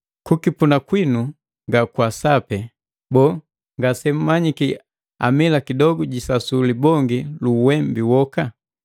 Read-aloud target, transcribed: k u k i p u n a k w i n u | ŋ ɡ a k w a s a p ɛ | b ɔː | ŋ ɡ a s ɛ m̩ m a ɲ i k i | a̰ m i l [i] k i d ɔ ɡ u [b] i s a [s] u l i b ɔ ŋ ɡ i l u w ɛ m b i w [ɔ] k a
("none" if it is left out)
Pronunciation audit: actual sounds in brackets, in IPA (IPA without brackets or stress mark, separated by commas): a, ɟ, s, ɔ